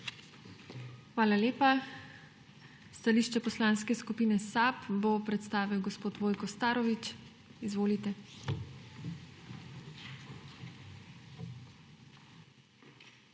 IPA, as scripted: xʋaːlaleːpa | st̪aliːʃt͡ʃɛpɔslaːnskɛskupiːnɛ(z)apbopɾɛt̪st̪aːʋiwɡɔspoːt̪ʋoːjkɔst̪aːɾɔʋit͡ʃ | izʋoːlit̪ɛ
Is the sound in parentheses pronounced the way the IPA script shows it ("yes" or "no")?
no